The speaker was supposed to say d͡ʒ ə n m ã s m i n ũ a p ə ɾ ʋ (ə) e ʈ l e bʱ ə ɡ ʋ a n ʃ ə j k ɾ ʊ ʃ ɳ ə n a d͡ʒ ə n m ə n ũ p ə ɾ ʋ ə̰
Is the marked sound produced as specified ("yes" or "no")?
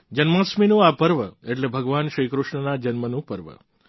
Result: yes